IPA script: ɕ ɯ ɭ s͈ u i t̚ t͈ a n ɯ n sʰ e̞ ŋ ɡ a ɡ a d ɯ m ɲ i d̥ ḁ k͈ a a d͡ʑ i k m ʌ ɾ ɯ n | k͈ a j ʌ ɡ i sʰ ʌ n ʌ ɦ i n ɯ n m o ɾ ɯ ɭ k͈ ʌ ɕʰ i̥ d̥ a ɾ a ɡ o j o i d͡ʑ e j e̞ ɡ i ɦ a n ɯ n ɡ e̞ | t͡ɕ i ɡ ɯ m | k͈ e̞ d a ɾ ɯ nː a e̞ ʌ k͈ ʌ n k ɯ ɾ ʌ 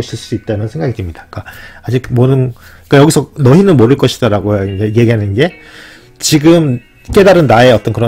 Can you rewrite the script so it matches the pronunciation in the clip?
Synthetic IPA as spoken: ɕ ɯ ɭ s͈ u i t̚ t͈ a n ɯ n sʰ e̞ ŋ ɡ a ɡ i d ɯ m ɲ i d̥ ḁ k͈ a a d͡ʑ i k m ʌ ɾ ɯ n | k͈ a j ʌ ɡ i sʰ ʌ n ʌ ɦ i n ɯ n m o ɾ ɯ ɭ k͈ ʌ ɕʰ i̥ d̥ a ɾ a ɡ o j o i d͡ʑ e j e̞ ɡ i ɦ a n ɯ n ɡ e̞ | t͡ɕ i ɡ ɯ m | k͈ e̞ d a ɾ ɯ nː a e̞ ʌ t͈ ʌ n k ɯ ɾ ʌ

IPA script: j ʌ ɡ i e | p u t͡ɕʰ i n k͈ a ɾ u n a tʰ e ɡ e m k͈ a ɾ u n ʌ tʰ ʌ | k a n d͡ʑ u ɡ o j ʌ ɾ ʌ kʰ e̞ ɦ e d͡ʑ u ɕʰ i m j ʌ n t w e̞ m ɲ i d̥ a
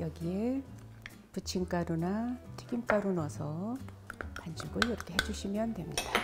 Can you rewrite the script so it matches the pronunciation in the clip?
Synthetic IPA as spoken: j ʌ ɡ i e | p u t͡ɕʰ i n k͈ a ɾ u n a tʰ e ɡ i m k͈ a ɾ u n ʌ sʰ ʌ | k a n d͡ʑ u ɡ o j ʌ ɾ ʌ kʰ e̞ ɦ e d͡ʑ u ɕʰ i m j ʌ n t w e̞ m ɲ i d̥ a

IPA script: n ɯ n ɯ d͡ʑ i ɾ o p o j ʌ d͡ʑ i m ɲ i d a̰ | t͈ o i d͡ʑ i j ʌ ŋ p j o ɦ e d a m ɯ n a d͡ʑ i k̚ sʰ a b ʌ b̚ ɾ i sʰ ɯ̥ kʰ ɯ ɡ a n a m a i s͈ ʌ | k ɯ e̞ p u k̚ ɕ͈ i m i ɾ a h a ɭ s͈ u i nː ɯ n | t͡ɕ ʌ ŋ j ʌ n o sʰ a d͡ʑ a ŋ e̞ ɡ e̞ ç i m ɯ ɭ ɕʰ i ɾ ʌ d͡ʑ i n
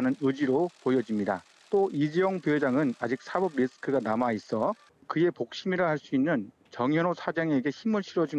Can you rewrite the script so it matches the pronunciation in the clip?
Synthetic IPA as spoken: n ɯ n ɯ d͡ʑ i ɾ o p o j ʌ d͡ʑ i m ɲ i d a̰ | t͈ o i d͡ʑ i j ʌ ŋ p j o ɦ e d͡ʑ a ŋ ɯ n a d͡ʑ i k̚ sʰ a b ʌ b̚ ɾ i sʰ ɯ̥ kʰ ɯ ɡ a n a m a i s͈ ʌ | k ɯ e̞ p o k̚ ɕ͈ i m i ɾ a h a ɭ s͈ u i nː ɯ n | t͡ɕ ʌ ŋ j ʌ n o sʰ a d͡ʑ a ŋ e̞ ɡ e̞ ç i m ɯ ɭ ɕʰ i ɾ ʌ d͡ʑ i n

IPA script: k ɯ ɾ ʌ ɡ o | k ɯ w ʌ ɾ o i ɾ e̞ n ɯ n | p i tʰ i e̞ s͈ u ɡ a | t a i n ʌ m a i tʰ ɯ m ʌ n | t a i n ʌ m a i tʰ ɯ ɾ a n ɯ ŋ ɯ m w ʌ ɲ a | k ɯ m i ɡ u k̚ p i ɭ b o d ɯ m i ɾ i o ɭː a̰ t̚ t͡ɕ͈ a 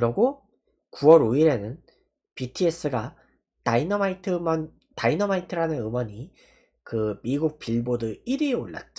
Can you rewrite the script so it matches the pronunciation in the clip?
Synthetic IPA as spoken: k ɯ ɾ ʌ ɡ o | k u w ʌ ɾ o i ɾ e̞ n ɯ n | p i tʰ i e̞ s͈ ɯ ɡ a | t a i n ʌ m a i tʰ ɯ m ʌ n | t a i n ʌ m a i tʰ ɯ ɾ a n ɯ n ɯ m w ʌ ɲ i | k ɯ m i ɡ u k̚ p i ɭ b o d ɯ i ɾ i o ɭː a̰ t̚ t͡ɕ͈ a

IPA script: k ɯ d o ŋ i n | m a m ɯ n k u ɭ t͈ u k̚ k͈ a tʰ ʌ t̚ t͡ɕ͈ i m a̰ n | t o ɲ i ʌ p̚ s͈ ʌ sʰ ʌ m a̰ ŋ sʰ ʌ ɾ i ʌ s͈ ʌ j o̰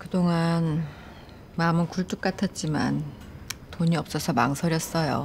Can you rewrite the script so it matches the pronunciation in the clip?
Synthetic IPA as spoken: k ɯ d o ŋ a n | m a m ɯ n k u ɭ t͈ u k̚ k͈ a tʰ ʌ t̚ t͡ɕ͈ i m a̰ n | t o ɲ i ʌ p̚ s͈ ʌ sʰ ʌ m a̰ ŋ sʰ ʌ ɾ j ʌ s͈ ʌ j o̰

